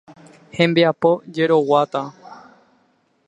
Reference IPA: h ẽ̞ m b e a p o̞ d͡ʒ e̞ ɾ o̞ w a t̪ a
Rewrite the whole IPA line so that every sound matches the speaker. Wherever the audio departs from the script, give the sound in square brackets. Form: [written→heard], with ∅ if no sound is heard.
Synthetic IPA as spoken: h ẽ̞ m b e a p o̞ d͡ʒ e̞ ɾ o̞ w a t̪ a